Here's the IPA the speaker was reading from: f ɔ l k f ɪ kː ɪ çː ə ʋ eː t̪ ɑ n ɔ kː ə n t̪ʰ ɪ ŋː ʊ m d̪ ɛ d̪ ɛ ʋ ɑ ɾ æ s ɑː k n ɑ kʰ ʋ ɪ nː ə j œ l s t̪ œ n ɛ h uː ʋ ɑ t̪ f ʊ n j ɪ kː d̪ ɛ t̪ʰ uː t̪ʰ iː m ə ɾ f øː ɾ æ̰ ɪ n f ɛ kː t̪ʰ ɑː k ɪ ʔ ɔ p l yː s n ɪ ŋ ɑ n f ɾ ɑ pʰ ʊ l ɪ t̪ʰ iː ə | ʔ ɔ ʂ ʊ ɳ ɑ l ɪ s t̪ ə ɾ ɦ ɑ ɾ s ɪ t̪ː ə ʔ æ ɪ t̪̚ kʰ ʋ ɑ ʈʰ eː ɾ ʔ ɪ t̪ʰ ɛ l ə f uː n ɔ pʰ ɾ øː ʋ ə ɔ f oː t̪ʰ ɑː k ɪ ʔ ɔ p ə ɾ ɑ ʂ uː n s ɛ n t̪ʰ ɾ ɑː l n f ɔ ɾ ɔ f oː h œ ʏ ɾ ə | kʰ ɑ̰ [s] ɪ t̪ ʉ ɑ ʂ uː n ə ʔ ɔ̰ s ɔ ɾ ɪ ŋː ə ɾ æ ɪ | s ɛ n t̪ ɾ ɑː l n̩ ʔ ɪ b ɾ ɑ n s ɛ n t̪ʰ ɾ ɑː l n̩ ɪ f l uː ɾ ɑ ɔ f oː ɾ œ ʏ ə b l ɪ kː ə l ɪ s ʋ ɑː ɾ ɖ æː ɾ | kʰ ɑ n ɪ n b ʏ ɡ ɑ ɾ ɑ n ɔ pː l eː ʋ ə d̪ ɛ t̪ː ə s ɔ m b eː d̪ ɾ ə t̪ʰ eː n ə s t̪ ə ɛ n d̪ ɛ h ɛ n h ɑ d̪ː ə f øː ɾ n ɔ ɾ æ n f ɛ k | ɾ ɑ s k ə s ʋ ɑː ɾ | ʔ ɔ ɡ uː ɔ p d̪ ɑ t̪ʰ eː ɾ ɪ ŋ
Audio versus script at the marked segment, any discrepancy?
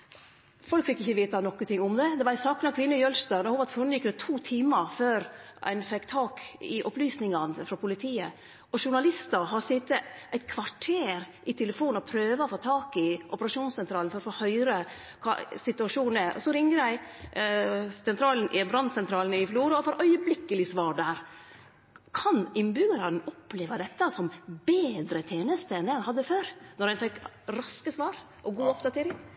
no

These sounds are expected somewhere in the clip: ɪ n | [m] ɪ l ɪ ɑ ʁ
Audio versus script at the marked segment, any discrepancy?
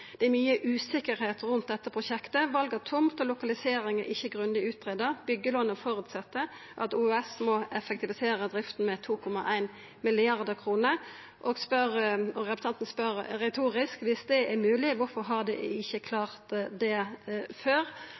no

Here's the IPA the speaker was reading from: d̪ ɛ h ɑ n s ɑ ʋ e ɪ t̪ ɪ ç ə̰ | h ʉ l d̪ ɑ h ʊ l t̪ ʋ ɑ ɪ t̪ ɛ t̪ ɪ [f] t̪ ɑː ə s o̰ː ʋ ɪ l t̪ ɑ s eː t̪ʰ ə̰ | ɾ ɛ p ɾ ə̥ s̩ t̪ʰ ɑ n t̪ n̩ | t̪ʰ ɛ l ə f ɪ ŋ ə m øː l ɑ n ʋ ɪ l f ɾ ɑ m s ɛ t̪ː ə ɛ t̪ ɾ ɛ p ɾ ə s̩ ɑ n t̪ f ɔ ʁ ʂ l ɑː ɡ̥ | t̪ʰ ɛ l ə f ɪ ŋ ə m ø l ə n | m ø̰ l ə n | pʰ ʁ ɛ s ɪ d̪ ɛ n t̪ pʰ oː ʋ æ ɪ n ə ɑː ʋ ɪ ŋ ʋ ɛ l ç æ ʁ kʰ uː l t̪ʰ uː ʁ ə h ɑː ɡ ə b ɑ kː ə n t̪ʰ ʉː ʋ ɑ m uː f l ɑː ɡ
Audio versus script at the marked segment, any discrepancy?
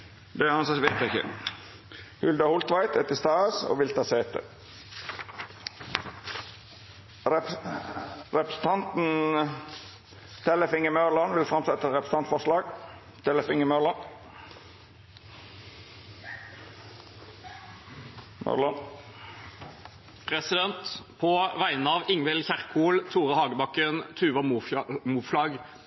yes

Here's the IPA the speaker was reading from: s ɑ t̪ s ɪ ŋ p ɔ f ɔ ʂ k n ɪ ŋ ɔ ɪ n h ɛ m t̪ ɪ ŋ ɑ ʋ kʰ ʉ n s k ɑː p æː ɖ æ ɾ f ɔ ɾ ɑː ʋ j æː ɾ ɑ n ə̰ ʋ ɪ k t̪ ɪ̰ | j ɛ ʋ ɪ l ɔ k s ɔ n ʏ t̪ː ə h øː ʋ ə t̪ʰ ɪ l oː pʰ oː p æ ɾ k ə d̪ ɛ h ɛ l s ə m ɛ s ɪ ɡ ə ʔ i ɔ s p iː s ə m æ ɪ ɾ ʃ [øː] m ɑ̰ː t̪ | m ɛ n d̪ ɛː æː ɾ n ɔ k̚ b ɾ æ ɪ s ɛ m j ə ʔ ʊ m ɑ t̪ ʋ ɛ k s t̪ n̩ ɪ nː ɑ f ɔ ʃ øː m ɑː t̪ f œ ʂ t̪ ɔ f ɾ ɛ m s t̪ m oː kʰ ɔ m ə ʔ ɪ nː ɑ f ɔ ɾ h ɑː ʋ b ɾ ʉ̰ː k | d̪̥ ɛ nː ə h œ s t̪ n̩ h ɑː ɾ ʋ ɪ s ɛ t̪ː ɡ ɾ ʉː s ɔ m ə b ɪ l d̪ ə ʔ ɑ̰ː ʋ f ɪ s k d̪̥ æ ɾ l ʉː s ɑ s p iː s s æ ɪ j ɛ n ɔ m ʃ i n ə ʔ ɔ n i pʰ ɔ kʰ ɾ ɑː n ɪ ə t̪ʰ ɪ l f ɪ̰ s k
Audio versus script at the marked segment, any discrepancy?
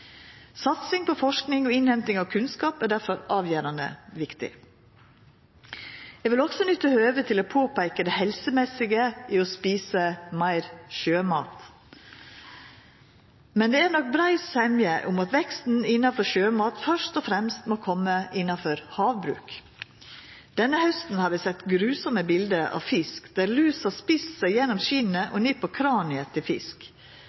no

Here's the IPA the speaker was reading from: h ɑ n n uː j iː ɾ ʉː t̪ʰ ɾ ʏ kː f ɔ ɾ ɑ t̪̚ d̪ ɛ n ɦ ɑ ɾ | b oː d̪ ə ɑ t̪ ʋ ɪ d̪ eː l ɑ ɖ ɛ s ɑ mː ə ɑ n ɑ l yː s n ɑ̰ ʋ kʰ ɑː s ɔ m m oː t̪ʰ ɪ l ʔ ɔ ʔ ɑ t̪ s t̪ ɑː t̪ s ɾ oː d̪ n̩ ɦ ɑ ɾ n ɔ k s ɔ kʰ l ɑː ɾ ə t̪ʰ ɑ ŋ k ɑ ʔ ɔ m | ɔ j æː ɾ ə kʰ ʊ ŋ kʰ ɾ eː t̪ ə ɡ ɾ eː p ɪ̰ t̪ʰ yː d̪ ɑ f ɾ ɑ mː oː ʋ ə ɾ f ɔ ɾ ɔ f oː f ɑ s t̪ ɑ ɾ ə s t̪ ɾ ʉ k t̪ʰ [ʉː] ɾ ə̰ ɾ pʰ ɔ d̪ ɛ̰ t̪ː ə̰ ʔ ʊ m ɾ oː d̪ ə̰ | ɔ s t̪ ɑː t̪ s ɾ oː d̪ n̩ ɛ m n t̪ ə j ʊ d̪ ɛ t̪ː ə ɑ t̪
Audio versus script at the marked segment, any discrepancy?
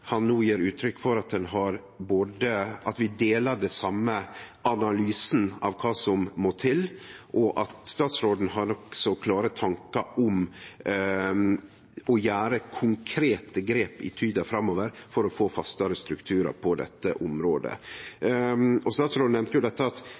no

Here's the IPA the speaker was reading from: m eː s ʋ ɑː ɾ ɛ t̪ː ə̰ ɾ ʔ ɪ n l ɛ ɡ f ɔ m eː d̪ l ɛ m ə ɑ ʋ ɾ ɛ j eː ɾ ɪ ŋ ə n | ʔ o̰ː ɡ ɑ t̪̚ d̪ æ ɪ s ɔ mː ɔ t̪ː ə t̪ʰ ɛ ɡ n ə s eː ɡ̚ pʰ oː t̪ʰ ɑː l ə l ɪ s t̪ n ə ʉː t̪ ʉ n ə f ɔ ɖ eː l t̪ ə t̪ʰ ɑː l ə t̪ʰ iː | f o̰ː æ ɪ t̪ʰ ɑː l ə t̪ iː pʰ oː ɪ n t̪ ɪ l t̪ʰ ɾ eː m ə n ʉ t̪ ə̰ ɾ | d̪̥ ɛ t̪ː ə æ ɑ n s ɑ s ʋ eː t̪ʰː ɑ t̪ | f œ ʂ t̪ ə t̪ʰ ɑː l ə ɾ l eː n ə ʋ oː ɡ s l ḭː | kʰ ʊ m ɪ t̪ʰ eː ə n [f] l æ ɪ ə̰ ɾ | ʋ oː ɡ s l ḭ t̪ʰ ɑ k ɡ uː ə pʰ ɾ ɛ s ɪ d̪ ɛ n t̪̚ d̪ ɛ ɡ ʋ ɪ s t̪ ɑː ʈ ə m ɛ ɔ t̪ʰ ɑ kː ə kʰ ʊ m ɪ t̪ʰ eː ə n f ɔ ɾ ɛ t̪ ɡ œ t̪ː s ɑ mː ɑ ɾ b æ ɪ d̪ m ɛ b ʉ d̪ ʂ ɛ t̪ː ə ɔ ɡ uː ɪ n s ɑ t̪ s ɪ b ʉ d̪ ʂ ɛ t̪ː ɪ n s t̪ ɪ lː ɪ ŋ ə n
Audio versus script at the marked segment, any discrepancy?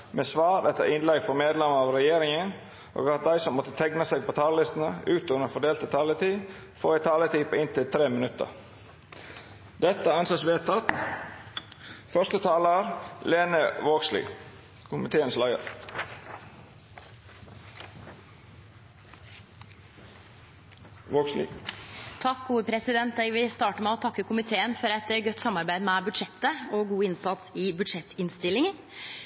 yes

